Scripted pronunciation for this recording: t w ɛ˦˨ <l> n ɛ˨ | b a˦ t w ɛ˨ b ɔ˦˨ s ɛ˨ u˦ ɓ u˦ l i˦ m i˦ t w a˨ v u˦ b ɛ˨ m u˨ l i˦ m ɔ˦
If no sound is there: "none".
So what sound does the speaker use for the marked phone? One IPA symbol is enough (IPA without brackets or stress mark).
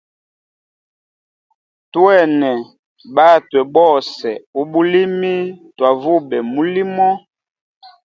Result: none